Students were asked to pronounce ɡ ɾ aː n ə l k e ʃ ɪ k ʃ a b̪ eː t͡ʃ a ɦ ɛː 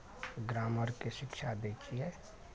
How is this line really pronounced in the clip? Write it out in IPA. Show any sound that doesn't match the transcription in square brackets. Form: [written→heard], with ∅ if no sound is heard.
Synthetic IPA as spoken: ɡ ɾ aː [n→m] ə [l→ɾ] k e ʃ ɪ k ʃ a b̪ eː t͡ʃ [a→i] ɦ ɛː